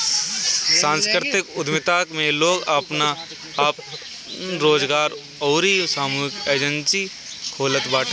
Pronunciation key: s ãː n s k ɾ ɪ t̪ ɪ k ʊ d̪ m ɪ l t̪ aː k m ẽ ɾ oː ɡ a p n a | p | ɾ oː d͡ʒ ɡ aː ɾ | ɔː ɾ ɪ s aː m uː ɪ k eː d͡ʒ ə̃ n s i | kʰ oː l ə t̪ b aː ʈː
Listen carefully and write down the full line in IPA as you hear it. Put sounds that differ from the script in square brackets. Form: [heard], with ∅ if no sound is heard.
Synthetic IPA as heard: s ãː n s k ɾ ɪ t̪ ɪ k ʊ d̪ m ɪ [∅] t̪ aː k m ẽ [l] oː ɡ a p n a | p | ɾ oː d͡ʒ ɡ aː ɾ | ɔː ɾ [i] s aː m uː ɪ k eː d͡ʒ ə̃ n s i | kʰ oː l ə t̪ b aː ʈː